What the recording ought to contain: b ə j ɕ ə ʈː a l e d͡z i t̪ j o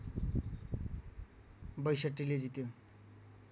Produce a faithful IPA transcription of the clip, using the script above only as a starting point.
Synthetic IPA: b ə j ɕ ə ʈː i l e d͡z i t̪ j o